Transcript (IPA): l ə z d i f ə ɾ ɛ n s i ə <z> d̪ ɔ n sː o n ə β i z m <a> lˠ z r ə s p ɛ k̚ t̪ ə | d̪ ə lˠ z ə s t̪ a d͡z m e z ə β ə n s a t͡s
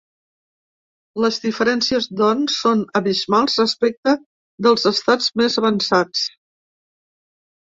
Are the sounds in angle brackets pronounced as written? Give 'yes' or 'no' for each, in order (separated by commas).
yes, yes